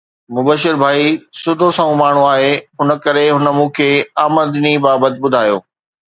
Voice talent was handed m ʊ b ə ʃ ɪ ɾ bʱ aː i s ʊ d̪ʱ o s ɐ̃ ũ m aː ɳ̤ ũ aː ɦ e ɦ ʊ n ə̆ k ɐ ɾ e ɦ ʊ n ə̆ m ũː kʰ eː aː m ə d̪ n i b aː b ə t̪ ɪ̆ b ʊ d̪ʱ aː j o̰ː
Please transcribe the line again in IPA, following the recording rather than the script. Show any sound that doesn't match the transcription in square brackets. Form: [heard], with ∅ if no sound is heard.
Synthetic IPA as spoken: m ʊ b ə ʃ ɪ ɾ bʱ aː i s ʊ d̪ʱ o s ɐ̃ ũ m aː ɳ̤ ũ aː ɦ e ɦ ʊ n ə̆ k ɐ ɾ e ɦ ʊ n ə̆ m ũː kʰ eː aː m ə d̪ n i b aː b ə t̪ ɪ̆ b ʊ d̪ʱ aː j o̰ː